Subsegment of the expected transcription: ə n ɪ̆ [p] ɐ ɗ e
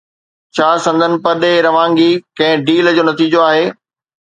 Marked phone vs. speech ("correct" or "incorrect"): correct